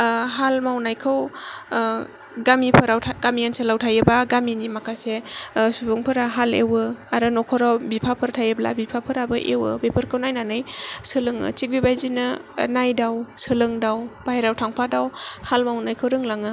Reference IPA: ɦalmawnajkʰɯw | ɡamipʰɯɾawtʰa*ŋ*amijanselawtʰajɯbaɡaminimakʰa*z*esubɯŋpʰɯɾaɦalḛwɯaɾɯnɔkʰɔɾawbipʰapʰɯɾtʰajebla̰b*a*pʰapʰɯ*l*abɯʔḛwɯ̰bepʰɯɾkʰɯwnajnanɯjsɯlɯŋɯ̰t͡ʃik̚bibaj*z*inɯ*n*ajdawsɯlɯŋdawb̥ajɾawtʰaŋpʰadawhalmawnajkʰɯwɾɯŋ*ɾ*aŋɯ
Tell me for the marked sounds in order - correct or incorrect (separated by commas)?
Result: incorrect, incorrect, incorrect, incorrect, correct, correct, incorrect